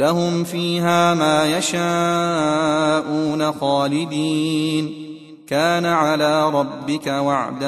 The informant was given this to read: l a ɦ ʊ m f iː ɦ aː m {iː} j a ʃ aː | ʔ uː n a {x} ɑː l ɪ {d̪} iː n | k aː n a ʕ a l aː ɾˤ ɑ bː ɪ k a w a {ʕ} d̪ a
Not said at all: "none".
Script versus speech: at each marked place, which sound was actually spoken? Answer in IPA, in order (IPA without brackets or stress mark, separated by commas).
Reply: aː, x, d̪, ʕ